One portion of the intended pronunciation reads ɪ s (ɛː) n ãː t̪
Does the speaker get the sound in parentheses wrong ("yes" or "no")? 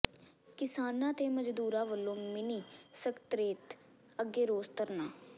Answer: yes